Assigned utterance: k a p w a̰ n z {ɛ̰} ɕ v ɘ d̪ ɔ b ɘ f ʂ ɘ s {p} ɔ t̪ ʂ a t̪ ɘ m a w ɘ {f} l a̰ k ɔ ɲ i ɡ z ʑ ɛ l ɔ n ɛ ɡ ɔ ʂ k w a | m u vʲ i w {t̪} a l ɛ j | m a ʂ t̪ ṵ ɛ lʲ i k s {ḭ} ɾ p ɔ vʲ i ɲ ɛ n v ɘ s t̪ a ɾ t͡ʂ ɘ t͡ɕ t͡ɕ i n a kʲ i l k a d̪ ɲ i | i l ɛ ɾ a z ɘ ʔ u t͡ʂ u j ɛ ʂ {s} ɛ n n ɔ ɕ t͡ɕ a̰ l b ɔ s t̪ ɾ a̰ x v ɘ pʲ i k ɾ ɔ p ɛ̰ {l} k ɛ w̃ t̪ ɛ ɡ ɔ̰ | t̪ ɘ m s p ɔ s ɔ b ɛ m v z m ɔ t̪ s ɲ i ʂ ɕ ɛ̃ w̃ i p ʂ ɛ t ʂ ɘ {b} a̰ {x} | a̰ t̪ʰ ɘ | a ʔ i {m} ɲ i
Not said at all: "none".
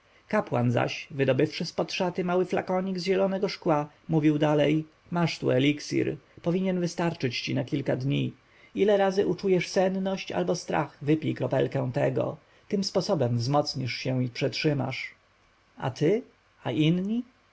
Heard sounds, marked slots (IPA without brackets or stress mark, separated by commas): a̰, p, f, d̪, ḭ, s, l, m, ʂ, n